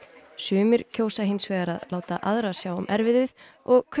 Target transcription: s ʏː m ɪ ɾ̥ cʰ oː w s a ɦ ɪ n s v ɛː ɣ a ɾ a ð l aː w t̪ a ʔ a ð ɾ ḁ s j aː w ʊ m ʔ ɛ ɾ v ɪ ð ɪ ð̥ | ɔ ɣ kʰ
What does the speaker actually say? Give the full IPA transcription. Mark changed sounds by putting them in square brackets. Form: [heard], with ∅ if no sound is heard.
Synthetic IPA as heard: s ʏː m ɪ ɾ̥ cʰ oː w s a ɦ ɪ n s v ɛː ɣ a ɾ a ð l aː w t̪ a ʔ a ð ɾ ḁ s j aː w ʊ m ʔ ɛ ɾ v ɪ ð ɪ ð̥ | ɔ ɣ kʰ